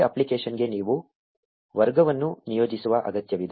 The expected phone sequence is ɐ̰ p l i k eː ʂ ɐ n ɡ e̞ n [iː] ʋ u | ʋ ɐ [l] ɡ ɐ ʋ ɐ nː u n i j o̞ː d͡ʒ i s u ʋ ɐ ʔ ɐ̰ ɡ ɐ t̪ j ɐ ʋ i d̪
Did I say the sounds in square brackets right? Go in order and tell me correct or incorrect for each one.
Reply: correct, incorrect: ɾ

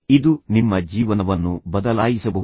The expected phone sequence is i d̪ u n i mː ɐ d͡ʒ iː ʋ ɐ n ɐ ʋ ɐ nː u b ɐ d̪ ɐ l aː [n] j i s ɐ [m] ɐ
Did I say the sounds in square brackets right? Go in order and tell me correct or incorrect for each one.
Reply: incorrect: none, incorrect: b

